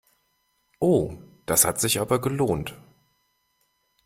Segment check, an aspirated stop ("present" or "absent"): absent